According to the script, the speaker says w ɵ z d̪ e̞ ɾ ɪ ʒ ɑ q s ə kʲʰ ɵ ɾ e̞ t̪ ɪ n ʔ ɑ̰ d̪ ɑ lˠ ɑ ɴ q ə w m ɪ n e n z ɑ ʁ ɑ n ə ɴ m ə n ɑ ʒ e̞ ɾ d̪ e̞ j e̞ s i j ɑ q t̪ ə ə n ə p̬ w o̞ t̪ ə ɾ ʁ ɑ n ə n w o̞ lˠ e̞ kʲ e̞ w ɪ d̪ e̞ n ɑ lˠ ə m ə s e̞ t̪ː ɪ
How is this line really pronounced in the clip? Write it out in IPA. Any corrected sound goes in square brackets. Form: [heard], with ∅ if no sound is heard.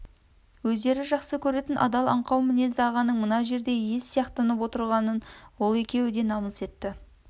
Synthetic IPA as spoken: w ɵ z d̪ e̞ ɾ ɪ ʒ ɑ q s ə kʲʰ ɵ ɾ e̞ t̪ ɪ n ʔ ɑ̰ d̪ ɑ lˠ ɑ ɴ q [ɑ] w m ɪ n e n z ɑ ʁ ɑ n ə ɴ m ə n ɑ ʒ e̞ ɾ d̪ e̞ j e̞ s i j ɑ q t̪ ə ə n ə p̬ w o̞ t̪ ə ɾ ʁ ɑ n ə n w o̞ lˠ e̞ kʲ e̞ w ɪ d̪ e̞ n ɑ lˠ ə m ə s e̞ t̪ː ɪ